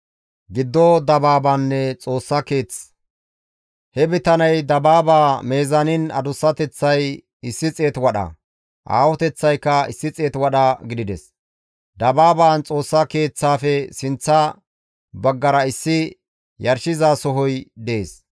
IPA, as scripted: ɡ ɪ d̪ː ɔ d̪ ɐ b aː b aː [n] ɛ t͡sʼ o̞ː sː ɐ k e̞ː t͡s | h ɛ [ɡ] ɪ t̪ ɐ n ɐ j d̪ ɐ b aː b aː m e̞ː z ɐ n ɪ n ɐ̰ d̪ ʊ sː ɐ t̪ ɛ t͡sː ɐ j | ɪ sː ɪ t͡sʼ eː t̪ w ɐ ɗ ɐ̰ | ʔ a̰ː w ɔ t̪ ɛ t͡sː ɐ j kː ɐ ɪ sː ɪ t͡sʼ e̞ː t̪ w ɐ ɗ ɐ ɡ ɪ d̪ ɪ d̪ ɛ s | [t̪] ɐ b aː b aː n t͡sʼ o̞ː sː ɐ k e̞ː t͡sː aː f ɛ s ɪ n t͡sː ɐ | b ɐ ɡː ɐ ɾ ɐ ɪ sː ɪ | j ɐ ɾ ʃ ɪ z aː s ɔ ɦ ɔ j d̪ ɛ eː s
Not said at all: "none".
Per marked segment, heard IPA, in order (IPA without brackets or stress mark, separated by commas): nː, b, d̪